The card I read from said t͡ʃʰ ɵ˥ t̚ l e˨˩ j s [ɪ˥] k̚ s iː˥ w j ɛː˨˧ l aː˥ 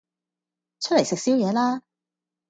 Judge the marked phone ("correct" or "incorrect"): incorrect